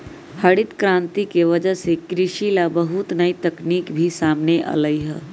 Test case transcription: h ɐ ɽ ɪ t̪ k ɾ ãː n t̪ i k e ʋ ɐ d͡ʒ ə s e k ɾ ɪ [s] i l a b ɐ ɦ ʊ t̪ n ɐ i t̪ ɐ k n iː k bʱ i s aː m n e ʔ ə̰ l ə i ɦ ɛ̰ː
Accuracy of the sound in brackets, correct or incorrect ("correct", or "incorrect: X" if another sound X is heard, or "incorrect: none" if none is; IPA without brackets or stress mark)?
incorrect: ʃ